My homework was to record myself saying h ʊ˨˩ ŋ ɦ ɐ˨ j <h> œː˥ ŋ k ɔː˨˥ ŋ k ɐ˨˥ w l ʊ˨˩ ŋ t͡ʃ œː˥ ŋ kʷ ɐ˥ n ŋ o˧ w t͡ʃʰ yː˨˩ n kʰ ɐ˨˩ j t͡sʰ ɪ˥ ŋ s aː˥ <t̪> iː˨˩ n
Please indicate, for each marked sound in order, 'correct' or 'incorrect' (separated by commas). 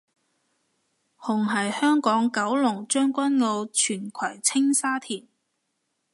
correct, incorrect